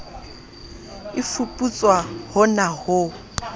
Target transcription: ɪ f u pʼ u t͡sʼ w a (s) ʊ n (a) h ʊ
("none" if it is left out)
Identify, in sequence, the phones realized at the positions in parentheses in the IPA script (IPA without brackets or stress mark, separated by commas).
h, a